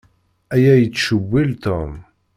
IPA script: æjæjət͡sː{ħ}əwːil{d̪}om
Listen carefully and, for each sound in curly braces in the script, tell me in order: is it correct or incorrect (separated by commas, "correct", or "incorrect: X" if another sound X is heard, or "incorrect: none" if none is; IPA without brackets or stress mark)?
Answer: incorrect: ʃ, incorrect: t̪